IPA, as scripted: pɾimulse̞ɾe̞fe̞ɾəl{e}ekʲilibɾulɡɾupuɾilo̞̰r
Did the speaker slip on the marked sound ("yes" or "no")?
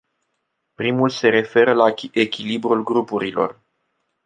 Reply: yes